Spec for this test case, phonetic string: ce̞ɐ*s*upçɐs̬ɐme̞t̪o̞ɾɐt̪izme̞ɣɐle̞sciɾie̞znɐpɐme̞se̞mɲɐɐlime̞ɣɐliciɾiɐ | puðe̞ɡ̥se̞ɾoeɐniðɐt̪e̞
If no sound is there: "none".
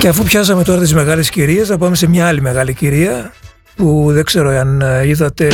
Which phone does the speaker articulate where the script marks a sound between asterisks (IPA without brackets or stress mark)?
f